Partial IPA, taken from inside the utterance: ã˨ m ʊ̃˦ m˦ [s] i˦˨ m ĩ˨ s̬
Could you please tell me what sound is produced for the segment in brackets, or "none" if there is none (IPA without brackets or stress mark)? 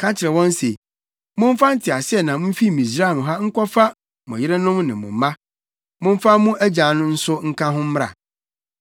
f